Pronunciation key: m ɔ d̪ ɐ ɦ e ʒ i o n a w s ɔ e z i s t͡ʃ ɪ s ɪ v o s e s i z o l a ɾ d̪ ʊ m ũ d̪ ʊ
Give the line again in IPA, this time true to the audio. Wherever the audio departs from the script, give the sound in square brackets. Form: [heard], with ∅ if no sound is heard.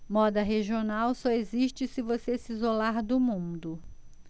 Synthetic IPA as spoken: m ɔ d̪ ɐ ɦ e ʒ i o n a w s ɔ e z i [ʃ] t͡ʃ ɪ s ɪ v o s e s i z o l a ɾ d̪ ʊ m ũ d̪ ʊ